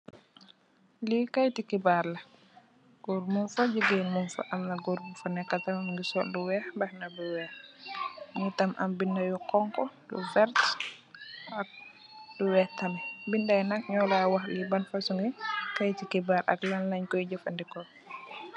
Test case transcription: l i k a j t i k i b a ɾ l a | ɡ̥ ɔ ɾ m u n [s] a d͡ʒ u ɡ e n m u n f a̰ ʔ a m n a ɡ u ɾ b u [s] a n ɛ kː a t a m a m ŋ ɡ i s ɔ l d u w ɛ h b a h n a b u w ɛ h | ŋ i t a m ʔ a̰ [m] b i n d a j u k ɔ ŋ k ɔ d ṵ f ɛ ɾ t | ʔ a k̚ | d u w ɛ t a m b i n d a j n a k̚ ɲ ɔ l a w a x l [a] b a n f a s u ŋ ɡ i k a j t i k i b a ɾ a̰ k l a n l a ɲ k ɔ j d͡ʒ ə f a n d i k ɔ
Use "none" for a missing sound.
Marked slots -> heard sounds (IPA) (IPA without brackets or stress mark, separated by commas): f, f, m, i